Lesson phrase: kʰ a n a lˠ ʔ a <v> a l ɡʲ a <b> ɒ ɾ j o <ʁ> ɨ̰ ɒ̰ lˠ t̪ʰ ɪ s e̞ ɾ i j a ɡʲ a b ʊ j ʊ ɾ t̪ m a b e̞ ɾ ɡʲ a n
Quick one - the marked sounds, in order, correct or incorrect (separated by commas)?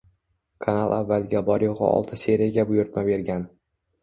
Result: incorrect, correct, correct